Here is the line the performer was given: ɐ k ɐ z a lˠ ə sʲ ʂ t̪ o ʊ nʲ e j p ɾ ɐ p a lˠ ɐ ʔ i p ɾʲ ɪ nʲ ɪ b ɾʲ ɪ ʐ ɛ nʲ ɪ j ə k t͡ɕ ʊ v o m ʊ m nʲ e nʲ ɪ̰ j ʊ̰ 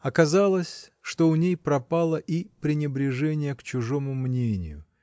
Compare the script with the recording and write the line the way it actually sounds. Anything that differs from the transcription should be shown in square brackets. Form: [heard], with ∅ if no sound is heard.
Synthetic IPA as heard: ɐ k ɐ z a lˠ ə sʲ ʂ t̪ o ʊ nʲ e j p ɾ ɐ p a lˠ [ə] ʔ i p ɾʲ ɪ nʲ ɪ b ɾʲ ɪ ʐ ɛ nʲ ɪ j ə k t͡ɕ ʊ [ʐ] o m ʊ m nʲ e nʲ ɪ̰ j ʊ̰